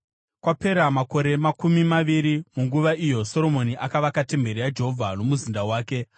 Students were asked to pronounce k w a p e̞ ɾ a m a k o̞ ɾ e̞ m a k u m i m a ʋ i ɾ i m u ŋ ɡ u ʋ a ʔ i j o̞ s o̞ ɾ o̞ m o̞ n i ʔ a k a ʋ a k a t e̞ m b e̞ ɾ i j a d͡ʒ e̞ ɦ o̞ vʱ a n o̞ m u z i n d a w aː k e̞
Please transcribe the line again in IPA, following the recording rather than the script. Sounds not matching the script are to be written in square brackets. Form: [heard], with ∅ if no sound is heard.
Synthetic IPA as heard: k w a p e̞ ɾ a m a k o̞ ɾ e̞ m a k u m i m a ʋ i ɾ i m u ŋ ɡ u ʋ a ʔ i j o̞ s o̞ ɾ o̞ m o̞ n i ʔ a k a ʋ a k a t e̞ m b e̞ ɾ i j a d͡ʒ e̞ ɦ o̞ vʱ a n o̞ m u z i n d a w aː k e̞